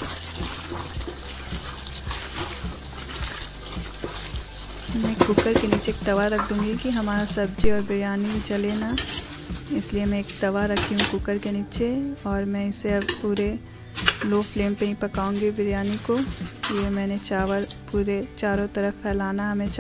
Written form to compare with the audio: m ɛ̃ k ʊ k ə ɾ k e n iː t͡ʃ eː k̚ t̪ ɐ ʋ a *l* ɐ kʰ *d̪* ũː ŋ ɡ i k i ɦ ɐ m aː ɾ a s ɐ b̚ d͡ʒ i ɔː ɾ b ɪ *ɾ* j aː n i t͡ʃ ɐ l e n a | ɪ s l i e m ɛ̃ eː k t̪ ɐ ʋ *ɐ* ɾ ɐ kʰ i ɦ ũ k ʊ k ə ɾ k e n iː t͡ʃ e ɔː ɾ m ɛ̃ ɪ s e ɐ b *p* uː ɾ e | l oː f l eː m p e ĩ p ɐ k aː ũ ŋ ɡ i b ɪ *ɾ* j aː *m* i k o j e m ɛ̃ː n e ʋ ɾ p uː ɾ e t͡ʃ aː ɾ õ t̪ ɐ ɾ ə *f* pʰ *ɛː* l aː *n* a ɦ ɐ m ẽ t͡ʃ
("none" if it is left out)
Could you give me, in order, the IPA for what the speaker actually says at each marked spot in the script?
ɾ, d̪, ɾ, a, p, ɾ, n, f, ɛː, n

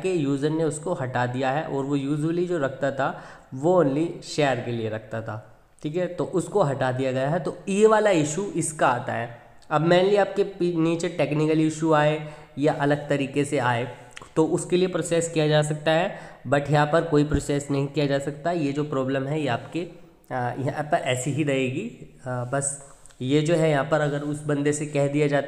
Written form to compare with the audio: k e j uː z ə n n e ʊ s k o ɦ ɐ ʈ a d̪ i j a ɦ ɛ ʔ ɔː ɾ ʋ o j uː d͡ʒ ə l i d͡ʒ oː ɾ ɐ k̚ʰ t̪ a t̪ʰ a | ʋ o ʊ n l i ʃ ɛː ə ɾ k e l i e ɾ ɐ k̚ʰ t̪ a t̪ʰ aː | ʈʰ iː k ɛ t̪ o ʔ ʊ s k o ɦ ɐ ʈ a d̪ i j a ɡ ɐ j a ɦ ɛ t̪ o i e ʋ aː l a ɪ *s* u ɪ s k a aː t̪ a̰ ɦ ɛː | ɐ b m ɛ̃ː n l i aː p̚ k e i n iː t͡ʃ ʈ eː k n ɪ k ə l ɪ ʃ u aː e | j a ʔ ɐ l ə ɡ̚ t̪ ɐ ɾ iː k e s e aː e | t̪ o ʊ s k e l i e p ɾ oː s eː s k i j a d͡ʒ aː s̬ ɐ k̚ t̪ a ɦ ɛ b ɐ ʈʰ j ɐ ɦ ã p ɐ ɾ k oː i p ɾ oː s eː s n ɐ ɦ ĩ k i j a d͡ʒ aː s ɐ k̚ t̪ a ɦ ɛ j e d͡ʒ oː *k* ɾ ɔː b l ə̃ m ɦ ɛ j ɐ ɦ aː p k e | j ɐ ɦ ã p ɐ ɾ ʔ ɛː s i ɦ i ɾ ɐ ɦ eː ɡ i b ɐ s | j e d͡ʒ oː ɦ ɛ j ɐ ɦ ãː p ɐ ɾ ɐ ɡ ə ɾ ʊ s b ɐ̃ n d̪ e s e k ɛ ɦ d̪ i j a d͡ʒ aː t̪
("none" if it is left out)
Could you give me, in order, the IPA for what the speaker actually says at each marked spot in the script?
ʃ, p

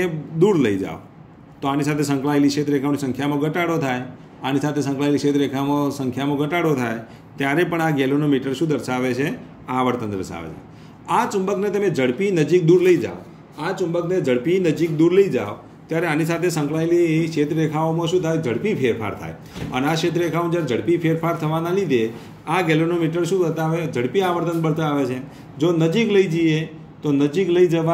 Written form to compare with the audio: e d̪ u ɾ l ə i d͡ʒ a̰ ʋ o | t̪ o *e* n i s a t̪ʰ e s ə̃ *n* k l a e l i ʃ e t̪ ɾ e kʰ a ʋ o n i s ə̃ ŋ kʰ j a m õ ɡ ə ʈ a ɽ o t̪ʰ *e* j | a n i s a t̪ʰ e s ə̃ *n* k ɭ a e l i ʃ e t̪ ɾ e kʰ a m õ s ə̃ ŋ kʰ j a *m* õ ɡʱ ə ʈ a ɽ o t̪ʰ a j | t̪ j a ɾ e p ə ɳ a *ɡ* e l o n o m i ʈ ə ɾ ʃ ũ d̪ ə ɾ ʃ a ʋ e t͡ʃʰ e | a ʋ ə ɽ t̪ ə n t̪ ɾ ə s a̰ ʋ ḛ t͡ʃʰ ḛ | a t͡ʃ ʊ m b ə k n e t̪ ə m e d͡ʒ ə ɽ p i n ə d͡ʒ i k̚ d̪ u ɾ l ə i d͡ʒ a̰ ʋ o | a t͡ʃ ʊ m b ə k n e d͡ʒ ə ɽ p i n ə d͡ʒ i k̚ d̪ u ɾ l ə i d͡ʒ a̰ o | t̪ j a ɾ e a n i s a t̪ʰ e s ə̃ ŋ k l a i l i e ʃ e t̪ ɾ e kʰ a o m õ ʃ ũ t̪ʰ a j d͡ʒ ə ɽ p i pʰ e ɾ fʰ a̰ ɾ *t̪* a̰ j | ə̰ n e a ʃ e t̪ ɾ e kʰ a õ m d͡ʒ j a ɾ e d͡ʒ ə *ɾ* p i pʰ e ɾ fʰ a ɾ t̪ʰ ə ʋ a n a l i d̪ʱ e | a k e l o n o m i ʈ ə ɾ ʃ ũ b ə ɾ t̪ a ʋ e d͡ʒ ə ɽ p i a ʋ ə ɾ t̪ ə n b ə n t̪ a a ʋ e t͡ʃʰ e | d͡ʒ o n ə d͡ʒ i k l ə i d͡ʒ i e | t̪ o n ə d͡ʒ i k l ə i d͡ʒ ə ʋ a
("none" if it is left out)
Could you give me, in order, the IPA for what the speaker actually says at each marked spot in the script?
a, ŋ, a, ŋ, m, ɡ, t̪ʰ, ɽ

